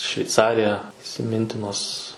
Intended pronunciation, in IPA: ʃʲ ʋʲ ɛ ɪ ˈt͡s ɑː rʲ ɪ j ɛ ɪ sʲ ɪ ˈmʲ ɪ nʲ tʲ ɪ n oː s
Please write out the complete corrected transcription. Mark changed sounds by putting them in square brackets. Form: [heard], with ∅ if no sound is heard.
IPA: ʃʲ ʋʲ ɛ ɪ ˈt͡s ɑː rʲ ɪ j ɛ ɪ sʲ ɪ ˈmʲ ɪ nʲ tʲ ɪ n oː s